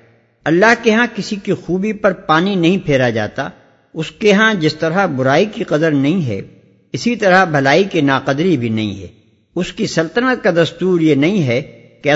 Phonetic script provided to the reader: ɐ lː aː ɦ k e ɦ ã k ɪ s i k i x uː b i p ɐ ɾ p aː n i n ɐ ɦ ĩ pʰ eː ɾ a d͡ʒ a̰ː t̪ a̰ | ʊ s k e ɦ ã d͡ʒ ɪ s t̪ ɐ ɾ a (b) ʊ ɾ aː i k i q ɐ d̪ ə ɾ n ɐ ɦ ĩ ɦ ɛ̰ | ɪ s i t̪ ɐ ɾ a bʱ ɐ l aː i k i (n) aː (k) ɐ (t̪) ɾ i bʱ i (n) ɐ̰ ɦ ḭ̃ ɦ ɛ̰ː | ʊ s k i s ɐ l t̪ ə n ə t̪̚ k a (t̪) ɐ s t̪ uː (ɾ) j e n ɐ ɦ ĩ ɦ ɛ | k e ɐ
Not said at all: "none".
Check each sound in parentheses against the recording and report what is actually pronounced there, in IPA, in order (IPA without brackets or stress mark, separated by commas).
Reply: b, n, q, d̪, n, d̪, ɾ